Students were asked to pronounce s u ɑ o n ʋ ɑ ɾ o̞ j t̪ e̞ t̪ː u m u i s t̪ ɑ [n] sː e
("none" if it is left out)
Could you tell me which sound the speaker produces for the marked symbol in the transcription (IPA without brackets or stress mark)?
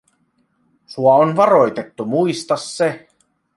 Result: none